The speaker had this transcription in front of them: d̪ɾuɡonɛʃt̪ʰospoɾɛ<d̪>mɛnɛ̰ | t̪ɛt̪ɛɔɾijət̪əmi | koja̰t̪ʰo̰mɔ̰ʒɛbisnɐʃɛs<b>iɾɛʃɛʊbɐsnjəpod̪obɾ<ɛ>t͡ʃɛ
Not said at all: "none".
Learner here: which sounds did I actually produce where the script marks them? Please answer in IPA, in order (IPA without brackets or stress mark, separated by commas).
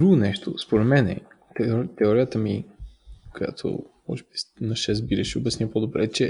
t̪, b, ɛ